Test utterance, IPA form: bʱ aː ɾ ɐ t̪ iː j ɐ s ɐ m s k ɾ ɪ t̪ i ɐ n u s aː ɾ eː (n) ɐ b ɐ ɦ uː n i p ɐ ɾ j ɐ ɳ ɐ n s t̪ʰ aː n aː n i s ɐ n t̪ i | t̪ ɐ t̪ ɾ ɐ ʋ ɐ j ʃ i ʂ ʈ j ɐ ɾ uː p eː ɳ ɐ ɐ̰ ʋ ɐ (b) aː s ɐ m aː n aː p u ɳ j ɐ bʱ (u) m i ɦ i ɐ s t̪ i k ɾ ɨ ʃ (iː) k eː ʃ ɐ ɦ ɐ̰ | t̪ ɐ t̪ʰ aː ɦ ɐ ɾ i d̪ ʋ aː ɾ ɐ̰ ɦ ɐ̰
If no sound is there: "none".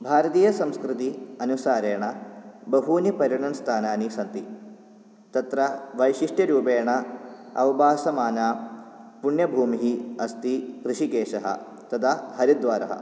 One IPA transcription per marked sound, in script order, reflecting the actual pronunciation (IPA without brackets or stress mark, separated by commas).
ɳ, b, uː, i